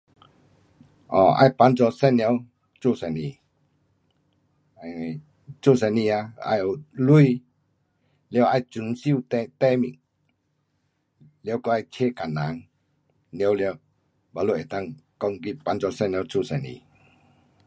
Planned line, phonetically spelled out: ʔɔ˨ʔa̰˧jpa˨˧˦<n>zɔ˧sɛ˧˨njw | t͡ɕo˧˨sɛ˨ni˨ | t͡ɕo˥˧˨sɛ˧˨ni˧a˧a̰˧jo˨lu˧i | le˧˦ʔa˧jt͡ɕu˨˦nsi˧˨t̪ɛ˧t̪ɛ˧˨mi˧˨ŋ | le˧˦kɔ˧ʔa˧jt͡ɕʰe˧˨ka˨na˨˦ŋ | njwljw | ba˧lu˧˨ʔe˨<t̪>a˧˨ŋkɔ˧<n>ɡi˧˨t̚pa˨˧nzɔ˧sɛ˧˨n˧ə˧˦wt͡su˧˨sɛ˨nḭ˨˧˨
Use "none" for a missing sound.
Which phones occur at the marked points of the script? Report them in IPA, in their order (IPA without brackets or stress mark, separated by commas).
n, t̪, ŋ